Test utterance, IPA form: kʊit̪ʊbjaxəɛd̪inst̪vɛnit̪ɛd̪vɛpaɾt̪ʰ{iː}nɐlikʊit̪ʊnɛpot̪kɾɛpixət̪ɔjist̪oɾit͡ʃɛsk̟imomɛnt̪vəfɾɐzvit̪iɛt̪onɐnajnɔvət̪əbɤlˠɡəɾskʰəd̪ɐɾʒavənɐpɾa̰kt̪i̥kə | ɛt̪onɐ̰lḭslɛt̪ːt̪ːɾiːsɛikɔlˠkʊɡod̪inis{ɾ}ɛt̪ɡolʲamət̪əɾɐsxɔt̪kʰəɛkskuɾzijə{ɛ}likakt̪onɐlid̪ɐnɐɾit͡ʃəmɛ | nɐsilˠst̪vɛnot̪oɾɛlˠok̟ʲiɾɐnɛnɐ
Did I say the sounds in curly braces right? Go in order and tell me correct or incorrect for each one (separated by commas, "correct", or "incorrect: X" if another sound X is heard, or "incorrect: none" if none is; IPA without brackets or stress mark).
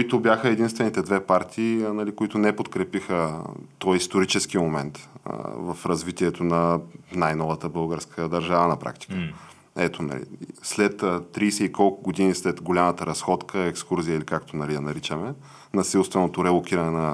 correct, incorrect: l, incorrect: i